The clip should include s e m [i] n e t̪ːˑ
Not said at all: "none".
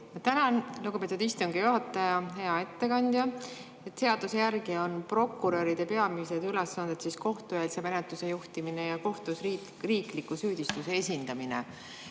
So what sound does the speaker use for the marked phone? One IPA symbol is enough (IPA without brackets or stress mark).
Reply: e